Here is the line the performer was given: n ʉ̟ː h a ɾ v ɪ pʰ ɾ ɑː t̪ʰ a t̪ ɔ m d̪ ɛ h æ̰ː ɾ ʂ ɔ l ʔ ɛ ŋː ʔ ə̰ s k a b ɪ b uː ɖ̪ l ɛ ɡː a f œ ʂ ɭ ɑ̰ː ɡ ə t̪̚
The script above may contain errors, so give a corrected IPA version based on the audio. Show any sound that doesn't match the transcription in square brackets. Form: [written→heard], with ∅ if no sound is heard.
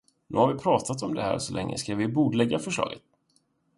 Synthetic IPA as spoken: n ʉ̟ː h a ɾ v ɪ pʰ ɾ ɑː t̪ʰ a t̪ ɔ m d̪ ɛ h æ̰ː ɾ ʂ ɔ l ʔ ɛ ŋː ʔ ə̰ s k a [b→v] ɪ b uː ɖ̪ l ɛ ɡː a f œ ʂ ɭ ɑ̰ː ɡ ə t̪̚